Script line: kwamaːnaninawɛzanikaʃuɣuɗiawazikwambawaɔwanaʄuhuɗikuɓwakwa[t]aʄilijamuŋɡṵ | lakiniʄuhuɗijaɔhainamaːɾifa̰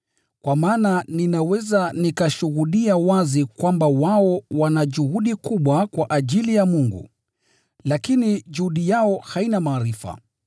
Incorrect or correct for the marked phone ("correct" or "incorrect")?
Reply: incorrect